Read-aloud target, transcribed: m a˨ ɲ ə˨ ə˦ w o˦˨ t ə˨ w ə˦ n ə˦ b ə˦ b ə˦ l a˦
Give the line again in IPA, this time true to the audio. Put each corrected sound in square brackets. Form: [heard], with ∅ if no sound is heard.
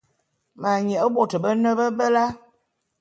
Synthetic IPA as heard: m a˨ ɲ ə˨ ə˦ [b] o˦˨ t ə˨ [b] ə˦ n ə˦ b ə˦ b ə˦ l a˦